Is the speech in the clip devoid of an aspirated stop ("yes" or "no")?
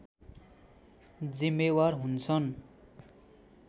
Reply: no